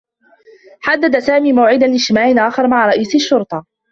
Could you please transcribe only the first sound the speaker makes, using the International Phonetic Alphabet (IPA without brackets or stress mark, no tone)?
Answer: ħ